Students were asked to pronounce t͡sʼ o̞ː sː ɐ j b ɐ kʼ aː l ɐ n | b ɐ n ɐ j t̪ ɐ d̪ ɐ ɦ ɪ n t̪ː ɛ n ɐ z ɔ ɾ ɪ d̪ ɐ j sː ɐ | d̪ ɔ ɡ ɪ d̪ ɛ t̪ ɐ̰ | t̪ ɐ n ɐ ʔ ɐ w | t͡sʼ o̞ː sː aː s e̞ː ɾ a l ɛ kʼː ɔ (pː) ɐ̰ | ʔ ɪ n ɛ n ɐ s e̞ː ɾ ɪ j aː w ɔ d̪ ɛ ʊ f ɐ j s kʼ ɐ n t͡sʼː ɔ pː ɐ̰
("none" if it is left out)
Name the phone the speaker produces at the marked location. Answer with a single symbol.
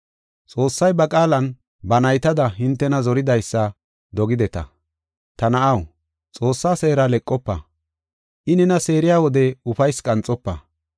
pː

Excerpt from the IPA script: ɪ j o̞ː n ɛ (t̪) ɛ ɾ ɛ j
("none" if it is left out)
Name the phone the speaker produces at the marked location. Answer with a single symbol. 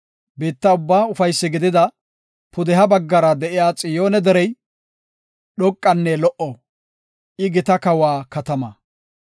d̪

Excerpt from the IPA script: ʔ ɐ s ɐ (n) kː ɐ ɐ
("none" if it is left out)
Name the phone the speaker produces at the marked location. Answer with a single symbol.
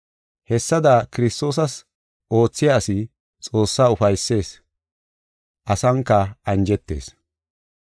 ŋ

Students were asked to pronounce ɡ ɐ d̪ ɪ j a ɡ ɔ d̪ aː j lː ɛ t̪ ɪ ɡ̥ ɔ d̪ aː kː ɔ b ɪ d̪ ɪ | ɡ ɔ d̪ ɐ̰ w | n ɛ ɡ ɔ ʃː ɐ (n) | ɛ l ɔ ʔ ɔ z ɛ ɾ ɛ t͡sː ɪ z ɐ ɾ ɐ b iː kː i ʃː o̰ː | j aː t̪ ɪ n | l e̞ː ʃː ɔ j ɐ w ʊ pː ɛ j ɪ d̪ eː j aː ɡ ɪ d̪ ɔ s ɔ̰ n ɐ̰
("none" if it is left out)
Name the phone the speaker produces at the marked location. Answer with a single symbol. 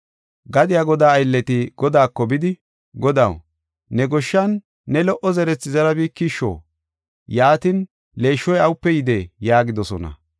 nː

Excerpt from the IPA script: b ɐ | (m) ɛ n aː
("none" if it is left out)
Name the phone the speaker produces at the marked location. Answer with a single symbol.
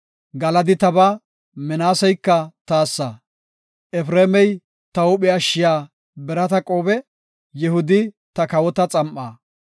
m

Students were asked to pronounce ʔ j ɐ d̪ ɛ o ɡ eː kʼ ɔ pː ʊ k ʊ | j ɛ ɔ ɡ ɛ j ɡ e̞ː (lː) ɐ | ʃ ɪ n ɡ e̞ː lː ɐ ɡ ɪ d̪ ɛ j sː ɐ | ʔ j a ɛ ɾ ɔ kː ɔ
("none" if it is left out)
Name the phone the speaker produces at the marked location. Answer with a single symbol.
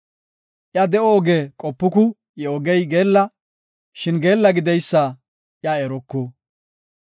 lː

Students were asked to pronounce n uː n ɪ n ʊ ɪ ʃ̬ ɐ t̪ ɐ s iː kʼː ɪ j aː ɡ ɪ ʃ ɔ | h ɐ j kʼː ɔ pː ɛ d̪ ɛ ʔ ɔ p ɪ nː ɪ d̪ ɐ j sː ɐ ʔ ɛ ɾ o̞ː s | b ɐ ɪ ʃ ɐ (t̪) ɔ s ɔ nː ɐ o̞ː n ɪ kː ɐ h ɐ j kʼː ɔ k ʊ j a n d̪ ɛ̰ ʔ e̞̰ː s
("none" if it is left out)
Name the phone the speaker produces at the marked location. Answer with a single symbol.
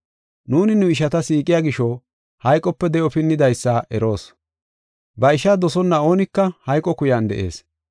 d̪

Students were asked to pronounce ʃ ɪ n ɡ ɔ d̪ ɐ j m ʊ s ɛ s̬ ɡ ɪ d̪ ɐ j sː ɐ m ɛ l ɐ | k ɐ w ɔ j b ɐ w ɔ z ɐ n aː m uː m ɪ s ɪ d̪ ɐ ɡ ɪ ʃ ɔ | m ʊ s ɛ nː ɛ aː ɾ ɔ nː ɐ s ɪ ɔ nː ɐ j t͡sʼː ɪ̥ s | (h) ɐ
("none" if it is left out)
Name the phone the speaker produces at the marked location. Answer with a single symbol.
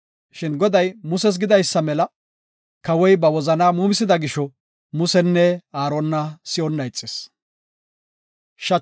ʃ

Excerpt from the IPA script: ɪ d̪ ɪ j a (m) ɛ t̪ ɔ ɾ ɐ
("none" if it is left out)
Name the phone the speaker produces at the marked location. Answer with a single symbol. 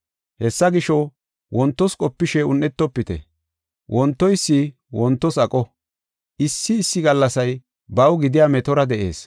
m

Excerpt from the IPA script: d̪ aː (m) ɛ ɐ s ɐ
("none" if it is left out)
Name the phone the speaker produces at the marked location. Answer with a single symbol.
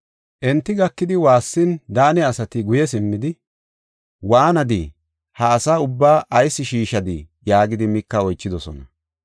n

